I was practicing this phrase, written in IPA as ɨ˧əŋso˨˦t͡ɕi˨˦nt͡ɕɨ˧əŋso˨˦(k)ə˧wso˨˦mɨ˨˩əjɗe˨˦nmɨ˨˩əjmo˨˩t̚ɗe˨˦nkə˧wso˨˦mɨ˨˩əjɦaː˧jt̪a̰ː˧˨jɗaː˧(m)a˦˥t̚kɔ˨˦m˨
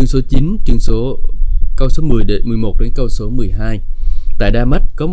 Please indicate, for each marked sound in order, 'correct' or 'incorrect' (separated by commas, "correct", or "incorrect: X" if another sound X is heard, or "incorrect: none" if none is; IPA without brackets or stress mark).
correct, correct